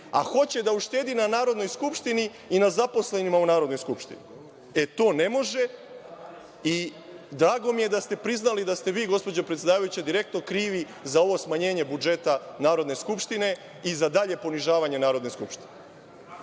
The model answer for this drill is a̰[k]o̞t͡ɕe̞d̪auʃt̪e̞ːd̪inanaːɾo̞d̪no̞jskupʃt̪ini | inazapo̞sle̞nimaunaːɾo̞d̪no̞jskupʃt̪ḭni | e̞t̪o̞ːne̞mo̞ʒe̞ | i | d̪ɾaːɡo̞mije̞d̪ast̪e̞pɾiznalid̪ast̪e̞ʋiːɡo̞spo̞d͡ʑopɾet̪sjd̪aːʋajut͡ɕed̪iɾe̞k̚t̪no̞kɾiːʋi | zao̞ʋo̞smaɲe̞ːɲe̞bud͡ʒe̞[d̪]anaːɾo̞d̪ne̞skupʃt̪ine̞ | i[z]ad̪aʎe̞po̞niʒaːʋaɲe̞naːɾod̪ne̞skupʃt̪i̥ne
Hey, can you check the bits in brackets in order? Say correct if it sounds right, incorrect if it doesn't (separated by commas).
incorrect, incorrect, correct